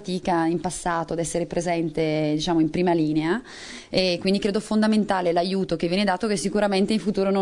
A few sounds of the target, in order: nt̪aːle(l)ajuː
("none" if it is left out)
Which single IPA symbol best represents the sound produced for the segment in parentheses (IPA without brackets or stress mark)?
l